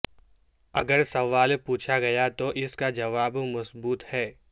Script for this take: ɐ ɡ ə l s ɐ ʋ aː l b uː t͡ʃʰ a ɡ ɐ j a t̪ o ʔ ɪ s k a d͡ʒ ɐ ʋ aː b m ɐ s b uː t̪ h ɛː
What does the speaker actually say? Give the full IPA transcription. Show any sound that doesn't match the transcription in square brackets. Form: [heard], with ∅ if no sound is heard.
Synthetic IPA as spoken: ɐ ɡ ə [ɾ] s ɐ ʋ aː l [p] uː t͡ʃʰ a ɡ ɐ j a t̪ o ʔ ɪ s k a d͡ʒ ɐ ʋ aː b m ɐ s b uː t̪ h ɛː